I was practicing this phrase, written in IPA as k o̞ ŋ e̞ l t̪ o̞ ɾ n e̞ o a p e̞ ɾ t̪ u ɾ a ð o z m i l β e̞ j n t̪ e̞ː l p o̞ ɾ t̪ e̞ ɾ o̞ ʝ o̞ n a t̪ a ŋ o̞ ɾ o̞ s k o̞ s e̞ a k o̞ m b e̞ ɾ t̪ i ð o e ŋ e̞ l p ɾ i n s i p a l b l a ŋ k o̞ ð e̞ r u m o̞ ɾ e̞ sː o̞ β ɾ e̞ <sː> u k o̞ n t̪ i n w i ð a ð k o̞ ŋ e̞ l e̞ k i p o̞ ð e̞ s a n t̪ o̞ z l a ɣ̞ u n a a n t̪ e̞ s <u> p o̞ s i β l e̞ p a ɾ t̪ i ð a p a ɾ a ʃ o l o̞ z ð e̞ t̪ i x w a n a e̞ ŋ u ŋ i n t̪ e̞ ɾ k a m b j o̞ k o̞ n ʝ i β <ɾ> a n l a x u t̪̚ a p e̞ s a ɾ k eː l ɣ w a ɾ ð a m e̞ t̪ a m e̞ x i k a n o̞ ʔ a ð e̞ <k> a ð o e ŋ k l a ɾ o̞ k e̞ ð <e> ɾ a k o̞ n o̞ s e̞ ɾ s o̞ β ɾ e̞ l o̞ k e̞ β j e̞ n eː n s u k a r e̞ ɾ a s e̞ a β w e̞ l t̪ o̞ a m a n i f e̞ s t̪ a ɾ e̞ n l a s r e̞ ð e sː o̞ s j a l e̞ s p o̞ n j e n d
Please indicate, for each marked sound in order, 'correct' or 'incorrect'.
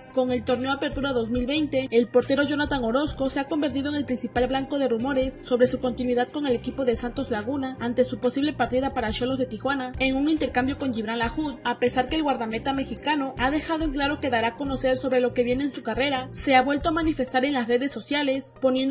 incorrect, correct, correct, incorrect, incorrect

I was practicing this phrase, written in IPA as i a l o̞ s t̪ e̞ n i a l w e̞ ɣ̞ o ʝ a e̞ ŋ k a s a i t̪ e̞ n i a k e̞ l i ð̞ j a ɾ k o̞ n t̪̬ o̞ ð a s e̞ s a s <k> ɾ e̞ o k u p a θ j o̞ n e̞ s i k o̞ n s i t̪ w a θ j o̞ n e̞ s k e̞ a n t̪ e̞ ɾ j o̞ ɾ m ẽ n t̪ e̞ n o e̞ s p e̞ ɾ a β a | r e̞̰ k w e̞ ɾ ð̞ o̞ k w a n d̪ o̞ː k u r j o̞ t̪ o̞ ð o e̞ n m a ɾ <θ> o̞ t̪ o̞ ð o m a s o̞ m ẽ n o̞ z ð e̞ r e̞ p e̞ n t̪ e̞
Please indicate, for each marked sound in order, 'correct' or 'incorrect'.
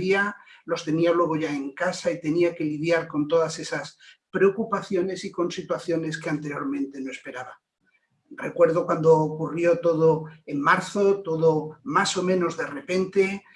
incorrect, correct

